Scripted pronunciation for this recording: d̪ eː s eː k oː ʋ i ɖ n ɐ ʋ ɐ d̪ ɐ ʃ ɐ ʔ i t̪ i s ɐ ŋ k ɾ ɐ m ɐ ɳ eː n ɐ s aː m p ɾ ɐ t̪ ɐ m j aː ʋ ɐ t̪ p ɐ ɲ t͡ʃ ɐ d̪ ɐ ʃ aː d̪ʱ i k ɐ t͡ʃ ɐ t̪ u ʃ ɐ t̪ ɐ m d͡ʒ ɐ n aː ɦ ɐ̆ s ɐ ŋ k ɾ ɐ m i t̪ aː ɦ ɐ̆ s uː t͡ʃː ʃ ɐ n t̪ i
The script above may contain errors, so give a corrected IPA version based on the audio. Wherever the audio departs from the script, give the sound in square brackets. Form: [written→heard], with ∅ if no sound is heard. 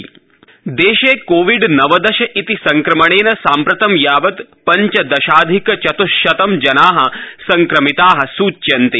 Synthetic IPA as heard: d̪ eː [s→ʃ] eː k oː ʋ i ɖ n ɐ ʋ ɐ d̪ ɐ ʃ ɐ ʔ i t̪ i s ɐ ŋ k ɾ ɐ m ɐ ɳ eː n ɐ s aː m p ɾ ɐ t̪ ɐ m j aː ʋ ɐ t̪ p ɐ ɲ t͡ʃ ɐ d̪ ɐ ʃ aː d̪ʱ i k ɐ t͡ʃ ɐ t̪ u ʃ ɐ t̪ ɐ m d͡ʒ ɐ n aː ɦ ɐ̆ s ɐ ŋ k ɾ ɐ m i t̪ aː ɦ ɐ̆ s uː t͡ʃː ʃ ɐ n t̪ i

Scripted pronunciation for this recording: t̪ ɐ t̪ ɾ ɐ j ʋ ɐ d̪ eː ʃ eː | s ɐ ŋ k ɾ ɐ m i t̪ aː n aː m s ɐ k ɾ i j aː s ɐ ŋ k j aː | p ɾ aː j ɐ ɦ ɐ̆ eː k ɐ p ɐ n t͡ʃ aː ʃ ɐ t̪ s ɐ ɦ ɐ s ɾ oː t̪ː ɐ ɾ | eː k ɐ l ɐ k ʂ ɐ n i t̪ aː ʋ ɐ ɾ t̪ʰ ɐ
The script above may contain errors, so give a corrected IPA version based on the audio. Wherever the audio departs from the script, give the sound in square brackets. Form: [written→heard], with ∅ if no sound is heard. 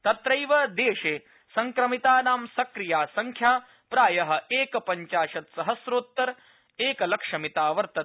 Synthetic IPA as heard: t̪ ɐ t̪ ɾ ɐ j ʋ ɐ d̪ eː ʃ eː | s ɐ ŋ k ɾ ɐ m i t̪ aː n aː m s ɐ k ɾ i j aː s ɐ ŋ [k→kʰ] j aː | p ɾ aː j ɐ ɦ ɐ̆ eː k ɐ p ɐ [n→ɲ] t͡ʃ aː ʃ ɐ t̪ s ɐ ɦ ɐ s ɾ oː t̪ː ɐ ɾ | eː k ɐ l ɐ k ʂ ɐ [n→m] i t̪ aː ʋ ɐ ɾ [t̪ʰ→t̪] ɐ

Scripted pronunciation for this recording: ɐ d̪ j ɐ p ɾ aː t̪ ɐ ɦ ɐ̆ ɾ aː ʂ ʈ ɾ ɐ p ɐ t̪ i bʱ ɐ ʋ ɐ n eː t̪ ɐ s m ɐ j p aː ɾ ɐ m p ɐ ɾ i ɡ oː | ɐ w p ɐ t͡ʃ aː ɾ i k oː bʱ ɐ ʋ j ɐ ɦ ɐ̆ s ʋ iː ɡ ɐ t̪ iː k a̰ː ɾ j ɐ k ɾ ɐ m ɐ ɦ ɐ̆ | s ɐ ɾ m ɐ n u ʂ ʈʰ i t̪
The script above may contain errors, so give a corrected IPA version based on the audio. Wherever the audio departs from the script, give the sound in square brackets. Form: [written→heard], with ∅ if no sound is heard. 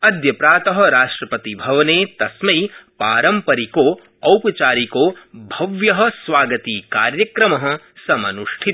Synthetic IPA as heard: ɐ d̪ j ɐ p ɾ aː t̪ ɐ ɦ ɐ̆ ɾ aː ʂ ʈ ɾ ɐ p ɐ t̪ i bʱ ɐ ʋ ɐ n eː t̪ ɐ s m ɐ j p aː ɾ ɐ m p ɐ ɾ i [ɡ→k] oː | ɐ w p ɐ t͡ʃ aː ɾ i k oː bʱ ɐ ʋ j ɐ ɦ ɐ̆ s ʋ [iː→aː] ɡ ɐ t̪ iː k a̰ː ɾ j ɐ k ɾ ɐ m ɐ ɦ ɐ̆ | s ɐ [ɾ→∅] m ɐ n u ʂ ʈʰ i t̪

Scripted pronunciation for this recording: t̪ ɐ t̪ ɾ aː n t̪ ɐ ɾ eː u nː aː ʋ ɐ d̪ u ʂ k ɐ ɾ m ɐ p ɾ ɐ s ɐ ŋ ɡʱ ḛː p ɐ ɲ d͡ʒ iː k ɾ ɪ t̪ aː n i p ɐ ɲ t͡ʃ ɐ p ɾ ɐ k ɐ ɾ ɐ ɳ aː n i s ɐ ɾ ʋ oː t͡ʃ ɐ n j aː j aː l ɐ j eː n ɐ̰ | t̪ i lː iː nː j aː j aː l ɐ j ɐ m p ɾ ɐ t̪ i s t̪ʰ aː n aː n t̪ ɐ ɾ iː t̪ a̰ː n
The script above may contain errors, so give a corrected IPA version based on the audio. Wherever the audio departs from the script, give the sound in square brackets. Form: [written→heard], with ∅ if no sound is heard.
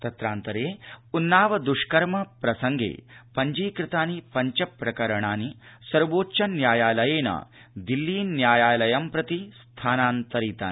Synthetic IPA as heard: t̪ ɐ t̪ ɾ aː n t̪ ɐ ɾ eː u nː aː ʋ ɐ d̪ u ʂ k ɐ ɾ m ɐ p ɾ ɐ s ɐ ŋ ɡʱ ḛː p ɐ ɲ d͡ʒ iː k ɾ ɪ t̪ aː n i p ɐ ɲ t͡ʃ ɐ p ɾ ɐ k ɐ ɾ ɐ ɳ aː n i s ɐ ɾ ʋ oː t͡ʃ ɐ n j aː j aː l ɐ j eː n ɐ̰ | [t̪→d̪] i lː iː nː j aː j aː l ɐ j ɐ m p ɾ ɐ t̪ i s t̪ʰ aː n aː n t̪ ɐ ɾ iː t̪ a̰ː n

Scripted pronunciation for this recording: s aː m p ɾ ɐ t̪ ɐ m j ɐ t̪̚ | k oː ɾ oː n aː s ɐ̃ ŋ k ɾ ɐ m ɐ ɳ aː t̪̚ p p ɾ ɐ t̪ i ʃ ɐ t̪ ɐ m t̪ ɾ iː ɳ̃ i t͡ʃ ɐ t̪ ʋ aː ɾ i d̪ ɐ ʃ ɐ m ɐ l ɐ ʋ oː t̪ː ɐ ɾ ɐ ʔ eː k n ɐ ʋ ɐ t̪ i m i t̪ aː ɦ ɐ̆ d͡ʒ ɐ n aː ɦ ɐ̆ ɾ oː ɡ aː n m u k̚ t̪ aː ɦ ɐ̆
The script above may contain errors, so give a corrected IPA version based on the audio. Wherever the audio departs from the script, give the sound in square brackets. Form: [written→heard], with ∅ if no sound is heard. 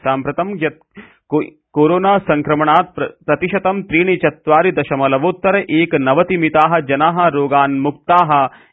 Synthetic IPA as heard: s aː m p ɾ ɐ t̪ ɐ m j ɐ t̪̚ | k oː ɾ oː n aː s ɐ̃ ŋ k ɾ ɐ m ɐ ɳ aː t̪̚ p p ɾ ɐ t̪ i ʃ ɐ t̪ ɐ m t̪ ɾ iː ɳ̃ i t͡ʃ ɐ t̪ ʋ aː ɾ i d̪ ɐ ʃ ɐ m ɐ l ɐ ʋ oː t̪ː ɐ ɾ ɐ ʔ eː k n ɐ ʋ ɐ t̪ i m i t̪ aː ɦ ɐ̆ d͡ʒ ɐ n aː ɦ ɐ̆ ɾ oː ɡ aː n m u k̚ t̪ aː ɦ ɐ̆

